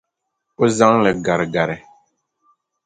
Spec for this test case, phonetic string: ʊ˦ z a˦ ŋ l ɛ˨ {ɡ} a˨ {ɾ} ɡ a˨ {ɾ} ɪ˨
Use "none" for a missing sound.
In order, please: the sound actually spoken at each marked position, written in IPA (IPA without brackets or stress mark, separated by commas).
ɡ, ɾ, ɾ